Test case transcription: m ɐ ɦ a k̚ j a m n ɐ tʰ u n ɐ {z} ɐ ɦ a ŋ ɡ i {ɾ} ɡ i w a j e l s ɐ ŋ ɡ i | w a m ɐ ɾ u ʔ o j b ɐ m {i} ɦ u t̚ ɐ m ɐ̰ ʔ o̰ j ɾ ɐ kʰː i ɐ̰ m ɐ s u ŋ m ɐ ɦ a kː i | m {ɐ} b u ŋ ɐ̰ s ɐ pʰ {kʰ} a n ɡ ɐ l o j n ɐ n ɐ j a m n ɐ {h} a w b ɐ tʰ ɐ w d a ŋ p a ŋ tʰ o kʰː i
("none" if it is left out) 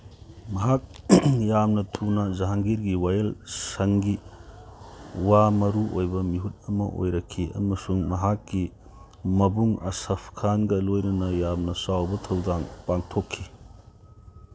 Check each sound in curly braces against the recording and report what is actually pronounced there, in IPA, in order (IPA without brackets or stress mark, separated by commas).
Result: z, ɾ, i, ɐ, kʰ, s